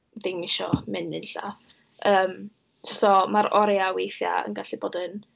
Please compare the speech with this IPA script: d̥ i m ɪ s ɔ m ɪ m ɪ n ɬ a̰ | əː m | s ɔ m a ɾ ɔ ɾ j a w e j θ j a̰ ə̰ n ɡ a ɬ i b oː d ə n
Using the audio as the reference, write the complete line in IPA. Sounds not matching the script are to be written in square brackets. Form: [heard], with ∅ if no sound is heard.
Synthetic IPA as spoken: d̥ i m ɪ [ʃ] ɔ m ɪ [n] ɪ n ɬ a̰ | əː m | s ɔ m a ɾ ɔ ɾ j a w e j θ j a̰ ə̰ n ɡ a ɬ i b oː d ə n